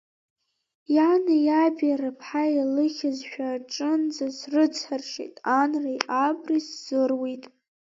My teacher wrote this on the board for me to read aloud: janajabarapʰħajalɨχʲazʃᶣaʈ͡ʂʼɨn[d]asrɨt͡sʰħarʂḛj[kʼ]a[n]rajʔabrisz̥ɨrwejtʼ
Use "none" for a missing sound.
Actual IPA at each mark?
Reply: d͡z, tʼ, n

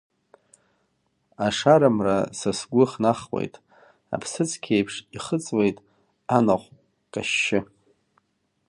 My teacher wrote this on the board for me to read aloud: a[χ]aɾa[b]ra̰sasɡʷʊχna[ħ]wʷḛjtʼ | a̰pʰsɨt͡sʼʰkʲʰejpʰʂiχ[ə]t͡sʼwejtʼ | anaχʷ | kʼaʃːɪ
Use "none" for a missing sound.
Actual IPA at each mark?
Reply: ʂ, m, χ, ə

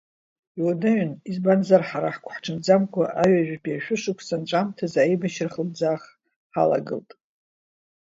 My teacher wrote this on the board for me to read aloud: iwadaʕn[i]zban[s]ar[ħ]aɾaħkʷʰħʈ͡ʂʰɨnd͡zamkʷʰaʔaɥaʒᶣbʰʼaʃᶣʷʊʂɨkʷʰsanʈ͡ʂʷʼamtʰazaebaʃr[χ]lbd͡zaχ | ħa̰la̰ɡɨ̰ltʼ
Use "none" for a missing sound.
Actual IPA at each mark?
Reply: i, z, ħ, χ

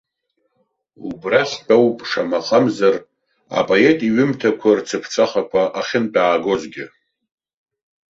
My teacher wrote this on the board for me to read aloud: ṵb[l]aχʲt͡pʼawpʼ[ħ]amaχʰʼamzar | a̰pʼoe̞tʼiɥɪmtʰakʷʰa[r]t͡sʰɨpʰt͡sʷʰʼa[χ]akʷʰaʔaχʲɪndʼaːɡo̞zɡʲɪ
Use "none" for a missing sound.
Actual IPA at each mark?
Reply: r, ʂ, r, χ

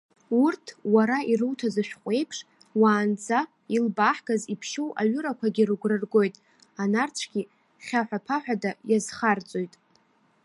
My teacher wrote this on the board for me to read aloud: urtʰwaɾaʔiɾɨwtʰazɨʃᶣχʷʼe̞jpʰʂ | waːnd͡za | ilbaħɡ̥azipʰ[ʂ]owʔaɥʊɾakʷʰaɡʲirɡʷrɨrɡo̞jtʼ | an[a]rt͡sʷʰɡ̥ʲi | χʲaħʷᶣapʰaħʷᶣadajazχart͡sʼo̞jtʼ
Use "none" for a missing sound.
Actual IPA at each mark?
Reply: ʃ, a

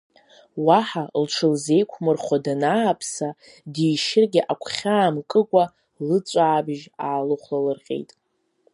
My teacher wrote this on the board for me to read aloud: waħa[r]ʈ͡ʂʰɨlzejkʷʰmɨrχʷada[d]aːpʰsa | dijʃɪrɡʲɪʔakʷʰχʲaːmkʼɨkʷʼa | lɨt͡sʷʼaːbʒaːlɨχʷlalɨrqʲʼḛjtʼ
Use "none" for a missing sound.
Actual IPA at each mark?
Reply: l, n

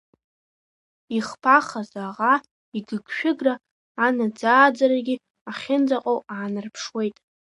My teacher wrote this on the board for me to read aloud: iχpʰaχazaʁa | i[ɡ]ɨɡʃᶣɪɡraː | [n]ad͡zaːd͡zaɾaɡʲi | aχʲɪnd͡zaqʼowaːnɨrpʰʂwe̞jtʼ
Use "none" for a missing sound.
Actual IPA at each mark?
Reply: ɡ, n

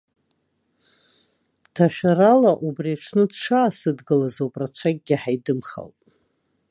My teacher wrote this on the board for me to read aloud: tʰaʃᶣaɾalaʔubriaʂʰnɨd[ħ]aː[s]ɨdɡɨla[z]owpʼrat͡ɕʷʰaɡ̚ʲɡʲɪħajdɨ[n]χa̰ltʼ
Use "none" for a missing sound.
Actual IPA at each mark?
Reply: ʂ, s, z, m

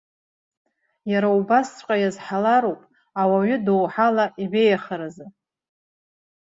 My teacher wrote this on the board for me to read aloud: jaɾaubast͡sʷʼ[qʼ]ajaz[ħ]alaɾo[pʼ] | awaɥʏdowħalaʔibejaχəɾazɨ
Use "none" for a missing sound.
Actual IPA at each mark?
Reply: qʼ, ħ, pʼ

